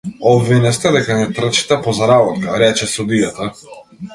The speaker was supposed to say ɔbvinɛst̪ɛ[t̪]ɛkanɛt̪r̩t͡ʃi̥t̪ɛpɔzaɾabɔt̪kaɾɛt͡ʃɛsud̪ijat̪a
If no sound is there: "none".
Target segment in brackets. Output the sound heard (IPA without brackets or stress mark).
d̪